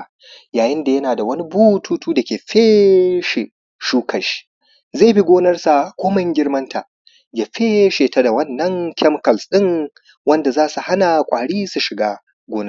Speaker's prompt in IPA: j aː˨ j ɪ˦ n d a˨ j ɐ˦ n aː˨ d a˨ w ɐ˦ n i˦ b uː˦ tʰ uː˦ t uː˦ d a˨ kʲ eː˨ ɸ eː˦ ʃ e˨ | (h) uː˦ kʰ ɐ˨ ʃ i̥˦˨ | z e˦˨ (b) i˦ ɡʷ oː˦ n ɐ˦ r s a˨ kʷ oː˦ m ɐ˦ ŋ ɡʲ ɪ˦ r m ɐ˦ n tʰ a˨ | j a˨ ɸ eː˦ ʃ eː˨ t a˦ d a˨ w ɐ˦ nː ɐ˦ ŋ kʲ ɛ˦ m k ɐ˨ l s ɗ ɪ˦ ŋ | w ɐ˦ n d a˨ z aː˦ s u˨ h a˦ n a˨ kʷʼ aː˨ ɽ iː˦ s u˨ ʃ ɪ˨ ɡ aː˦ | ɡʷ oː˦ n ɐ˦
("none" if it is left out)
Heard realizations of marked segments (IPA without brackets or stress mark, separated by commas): ʃ, b